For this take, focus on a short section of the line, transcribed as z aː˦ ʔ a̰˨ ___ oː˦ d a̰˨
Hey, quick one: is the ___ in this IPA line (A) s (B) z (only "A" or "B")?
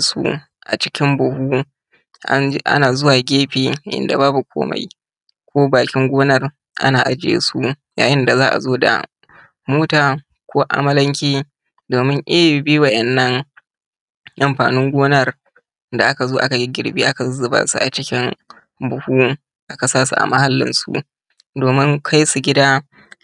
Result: B